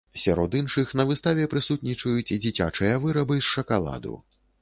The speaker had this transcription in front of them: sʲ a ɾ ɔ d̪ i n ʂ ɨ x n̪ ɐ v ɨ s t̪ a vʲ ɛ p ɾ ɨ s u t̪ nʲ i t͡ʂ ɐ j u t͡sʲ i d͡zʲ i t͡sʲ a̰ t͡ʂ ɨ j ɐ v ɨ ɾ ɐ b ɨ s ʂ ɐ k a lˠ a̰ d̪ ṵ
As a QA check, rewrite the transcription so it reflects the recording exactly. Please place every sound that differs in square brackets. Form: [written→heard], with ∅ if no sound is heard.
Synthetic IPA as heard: sʲ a ɾ ɔ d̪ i n ʂ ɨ x n̪ ɐ v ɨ s t̪ a vʲ ɛ p ɾ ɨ s u t̪ nʲ i t͡ʂ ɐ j u t͡sʲ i d͡zʲ i t͡sʲ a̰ t͡ʂ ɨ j ɐ v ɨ ɾ ɐ b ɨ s ʂ ɐ k a lˠ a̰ d̪ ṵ